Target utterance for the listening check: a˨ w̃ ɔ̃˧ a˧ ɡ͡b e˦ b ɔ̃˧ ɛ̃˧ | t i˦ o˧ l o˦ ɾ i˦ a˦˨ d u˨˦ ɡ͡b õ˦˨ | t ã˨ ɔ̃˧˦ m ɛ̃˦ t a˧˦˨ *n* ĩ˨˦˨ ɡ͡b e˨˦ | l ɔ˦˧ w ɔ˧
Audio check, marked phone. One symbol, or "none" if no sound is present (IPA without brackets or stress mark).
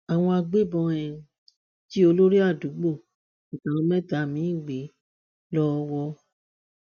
m